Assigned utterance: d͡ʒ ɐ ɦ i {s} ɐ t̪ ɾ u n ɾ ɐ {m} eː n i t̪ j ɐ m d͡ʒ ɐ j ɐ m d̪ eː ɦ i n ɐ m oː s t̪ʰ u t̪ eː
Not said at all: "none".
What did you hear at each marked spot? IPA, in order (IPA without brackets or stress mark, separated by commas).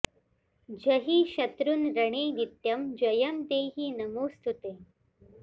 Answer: ʃ, ɳ